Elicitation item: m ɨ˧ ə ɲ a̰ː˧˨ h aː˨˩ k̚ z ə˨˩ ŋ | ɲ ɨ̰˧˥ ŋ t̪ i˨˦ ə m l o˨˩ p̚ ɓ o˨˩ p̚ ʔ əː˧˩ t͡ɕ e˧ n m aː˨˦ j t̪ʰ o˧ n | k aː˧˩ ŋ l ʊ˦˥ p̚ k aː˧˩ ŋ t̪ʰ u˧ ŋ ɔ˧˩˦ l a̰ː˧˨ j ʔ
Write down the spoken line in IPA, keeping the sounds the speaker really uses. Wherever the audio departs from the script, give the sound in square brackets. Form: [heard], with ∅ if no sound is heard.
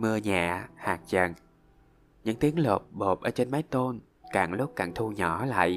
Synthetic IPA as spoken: m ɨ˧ ə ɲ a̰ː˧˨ h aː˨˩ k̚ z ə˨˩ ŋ | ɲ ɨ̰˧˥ ŋ t̪ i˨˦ ə [ŋ] l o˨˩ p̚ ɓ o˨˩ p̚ ʔ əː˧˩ t͡ɕ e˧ n m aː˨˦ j [t̪] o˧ n | k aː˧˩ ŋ l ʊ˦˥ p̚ k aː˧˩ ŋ t̪ʰ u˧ [ɲ] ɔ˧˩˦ l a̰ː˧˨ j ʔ